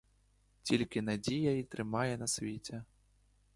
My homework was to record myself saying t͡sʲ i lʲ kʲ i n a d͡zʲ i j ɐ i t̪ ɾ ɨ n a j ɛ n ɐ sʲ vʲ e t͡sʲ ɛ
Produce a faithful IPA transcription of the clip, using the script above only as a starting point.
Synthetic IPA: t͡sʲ i lʲ kʲ i n a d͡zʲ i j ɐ i t̪ ɾ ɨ m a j ɛ n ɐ sʲ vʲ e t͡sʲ ɛ

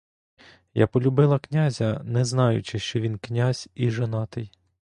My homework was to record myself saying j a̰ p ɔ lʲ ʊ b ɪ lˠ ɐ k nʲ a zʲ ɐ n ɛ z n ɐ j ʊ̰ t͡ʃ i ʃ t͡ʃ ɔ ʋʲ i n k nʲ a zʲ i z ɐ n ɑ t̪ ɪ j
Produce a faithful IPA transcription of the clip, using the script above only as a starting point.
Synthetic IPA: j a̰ p ɔ lʲ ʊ b ɪ lˠ ɐ k nʲ a zʲ ɐ n ɛ z n ɑ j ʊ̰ t͡ʃ ɪ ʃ t͡ʃ ɔ ʋʲ i n k nʲ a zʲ i ʒ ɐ n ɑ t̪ ɪ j

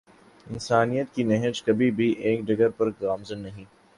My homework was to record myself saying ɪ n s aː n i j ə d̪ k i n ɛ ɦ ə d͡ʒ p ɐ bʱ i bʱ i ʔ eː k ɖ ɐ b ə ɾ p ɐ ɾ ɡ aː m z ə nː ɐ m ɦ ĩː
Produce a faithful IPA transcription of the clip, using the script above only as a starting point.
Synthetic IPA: ɪ n s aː n i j ə t̪ k i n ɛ ɦ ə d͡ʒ k ɐ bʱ i bʱ i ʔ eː k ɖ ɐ ɡ ə ɾ p ɐ ɾ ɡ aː m z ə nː ɐ ɦ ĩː

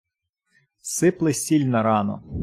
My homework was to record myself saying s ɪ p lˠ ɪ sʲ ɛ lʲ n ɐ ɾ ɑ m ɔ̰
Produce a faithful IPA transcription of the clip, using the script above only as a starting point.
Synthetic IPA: s ɪ p lˠ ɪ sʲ i lʲ n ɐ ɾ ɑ n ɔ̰

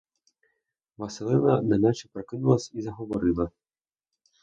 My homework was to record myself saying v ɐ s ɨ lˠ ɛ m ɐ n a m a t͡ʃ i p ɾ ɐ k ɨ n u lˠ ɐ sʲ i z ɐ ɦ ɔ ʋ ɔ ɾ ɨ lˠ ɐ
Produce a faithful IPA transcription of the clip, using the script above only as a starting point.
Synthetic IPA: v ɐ s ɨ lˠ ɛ n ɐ n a n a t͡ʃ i p ɾ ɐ k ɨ n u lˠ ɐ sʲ i z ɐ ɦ ɔ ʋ ɔ ɾ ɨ lˠ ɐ

